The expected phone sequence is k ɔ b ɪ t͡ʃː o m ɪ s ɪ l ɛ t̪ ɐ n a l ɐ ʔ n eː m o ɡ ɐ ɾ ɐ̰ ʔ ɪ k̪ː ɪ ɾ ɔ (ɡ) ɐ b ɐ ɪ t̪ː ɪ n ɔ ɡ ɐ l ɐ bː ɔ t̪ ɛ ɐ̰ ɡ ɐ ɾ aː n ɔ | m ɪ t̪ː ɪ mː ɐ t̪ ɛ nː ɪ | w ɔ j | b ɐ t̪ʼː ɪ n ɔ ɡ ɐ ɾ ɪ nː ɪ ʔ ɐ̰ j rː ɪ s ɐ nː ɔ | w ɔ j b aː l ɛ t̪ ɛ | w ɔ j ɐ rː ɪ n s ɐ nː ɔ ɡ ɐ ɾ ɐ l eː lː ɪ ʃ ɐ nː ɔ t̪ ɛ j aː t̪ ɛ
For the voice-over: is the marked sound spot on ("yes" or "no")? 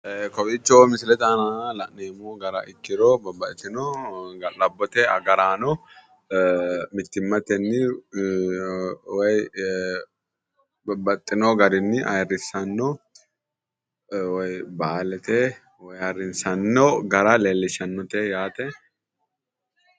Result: no